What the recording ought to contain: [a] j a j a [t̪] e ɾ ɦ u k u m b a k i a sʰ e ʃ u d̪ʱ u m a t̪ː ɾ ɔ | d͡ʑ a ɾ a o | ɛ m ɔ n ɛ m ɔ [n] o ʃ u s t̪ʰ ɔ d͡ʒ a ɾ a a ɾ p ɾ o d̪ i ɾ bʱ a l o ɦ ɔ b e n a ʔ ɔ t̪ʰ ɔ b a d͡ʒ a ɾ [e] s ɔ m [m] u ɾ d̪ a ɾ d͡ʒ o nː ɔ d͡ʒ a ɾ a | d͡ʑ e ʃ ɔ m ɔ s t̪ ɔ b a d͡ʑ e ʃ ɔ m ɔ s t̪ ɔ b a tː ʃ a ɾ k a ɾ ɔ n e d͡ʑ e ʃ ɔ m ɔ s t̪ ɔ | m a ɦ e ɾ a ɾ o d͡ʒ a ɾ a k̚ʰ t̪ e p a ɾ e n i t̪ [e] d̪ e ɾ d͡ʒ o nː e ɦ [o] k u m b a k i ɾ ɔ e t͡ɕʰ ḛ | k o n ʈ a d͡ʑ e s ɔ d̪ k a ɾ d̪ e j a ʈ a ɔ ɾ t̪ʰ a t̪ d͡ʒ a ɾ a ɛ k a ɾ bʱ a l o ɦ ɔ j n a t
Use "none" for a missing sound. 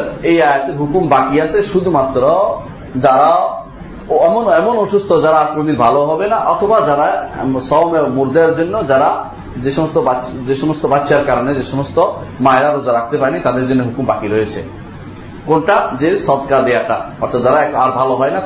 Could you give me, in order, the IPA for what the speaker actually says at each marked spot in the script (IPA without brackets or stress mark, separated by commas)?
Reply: e, t̪, n, a, m, a, u